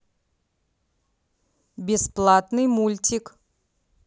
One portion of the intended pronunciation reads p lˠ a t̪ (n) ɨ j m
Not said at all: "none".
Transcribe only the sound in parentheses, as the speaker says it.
n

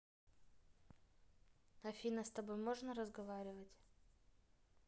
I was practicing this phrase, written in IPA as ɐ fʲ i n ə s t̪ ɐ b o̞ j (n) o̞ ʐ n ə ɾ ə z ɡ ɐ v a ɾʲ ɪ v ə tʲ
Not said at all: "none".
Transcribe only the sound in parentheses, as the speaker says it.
m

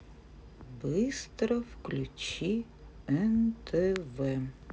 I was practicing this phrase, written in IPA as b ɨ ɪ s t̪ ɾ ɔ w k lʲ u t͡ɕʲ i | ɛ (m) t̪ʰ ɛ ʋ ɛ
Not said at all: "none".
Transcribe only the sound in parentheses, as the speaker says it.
n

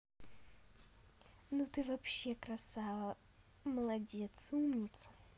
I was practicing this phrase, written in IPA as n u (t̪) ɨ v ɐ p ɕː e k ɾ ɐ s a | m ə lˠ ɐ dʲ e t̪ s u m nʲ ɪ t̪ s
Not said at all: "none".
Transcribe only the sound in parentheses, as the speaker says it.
t̪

